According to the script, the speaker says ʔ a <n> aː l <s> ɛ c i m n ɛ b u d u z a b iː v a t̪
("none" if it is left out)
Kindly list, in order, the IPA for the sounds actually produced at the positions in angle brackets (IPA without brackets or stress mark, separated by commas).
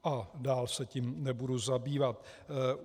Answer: d, s